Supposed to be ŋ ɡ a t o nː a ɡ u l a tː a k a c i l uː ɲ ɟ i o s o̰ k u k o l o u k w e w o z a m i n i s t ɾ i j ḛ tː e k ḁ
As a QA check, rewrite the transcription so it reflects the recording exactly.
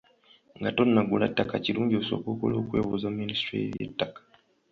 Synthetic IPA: ŋ ɡ a t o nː a ɡ u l a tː a k a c i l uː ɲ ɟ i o s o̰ k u k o l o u k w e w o z a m i n i s t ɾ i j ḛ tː a k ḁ